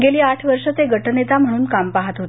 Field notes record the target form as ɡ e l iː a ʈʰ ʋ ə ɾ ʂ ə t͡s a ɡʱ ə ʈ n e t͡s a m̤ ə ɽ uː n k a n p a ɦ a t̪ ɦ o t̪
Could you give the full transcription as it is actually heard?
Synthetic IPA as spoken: ɡ e l iː a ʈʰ ʋ ə ɾ ʂ ə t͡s e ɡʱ ə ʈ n e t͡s a m̤ ə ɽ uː n k a m p a ɦ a t̪ ɦ o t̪